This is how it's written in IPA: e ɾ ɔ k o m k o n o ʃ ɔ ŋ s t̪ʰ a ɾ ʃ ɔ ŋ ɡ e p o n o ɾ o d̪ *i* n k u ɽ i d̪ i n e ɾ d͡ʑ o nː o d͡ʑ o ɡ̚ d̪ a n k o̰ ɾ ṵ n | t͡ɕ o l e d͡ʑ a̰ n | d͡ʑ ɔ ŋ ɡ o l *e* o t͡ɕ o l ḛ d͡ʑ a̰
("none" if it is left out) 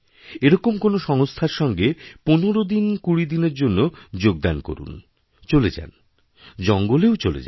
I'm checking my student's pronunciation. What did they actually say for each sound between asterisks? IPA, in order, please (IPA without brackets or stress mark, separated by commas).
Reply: i, e